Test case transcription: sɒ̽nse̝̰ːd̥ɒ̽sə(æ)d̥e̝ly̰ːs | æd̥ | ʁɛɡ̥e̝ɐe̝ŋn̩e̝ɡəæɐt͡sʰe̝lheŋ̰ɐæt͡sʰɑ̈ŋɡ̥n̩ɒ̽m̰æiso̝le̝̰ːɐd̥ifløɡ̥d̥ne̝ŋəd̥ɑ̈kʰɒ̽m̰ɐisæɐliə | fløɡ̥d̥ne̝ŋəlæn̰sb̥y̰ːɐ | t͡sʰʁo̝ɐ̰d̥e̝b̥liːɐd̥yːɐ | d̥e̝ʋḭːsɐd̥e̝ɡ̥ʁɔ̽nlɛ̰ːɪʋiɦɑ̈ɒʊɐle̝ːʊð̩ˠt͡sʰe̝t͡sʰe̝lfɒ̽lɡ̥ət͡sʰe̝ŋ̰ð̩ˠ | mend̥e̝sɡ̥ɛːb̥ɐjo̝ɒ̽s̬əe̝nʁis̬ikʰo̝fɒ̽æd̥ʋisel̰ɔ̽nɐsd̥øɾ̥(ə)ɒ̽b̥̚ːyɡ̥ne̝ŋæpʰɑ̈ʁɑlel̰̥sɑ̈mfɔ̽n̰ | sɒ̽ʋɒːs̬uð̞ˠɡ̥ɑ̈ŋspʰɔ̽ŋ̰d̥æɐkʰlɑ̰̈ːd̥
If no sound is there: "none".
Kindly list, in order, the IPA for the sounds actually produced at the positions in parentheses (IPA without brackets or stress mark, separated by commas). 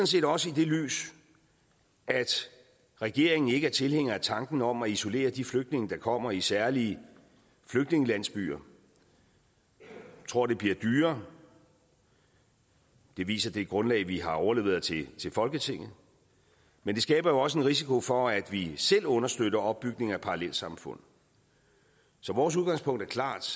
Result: i, ɐ